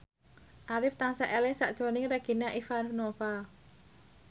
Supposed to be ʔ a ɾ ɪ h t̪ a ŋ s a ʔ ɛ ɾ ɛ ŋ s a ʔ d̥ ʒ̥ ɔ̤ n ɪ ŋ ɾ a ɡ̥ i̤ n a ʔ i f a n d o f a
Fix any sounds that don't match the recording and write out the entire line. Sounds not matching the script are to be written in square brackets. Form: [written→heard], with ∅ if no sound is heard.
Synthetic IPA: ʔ a ɾ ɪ [h→f] t̪ a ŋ s a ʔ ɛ [ɾ→l] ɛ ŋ s a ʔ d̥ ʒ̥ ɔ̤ n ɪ ŋ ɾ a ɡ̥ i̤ n a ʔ i f a n [d→n] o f a